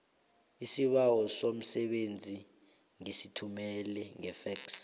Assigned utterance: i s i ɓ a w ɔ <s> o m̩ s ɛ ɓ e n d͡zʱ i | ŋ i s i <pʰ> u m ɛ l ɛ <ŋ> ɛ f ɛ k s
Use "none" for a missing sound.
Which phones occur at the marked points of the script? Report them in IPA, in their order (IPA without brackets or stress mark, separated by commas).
s, tʰ, ŋ